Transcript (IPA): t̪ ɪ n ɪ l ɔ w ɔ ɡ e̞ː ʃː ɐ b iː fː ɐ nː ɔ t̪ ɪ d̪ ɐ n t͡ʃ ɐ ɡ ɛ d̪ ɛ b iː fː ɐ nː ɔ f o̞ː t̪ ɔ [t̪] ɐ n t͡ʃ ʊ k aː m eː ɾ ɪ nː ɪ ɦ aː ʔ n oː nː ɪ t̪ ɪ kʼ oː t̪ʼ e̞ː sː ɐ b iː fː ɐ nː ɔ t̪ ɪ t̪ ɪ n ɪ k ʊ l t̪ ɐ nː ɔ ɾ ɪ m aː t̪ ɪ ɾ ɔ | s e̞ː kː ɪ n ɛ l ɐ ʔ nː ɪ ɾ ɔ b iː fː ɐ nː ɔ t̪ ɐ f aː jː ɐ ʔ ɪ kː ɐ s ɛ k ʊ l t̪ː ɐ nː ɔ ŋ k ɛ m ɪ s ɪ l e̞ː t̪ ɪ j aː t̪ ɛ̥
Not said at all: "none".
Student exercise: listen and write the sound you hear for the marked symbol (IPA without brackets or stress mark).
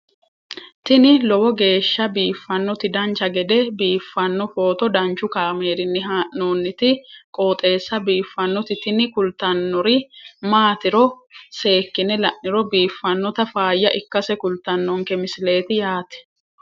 d̪